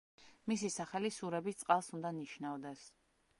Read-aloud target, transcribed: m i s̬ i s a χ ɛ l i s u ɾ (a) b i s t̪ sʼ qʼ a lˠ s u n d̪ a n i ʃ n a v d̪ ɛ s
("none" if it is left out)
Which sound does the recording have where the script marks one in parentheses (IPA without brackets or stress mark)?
ɛ